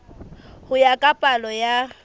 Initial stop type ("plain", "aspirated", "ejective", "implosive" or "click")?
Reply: ejective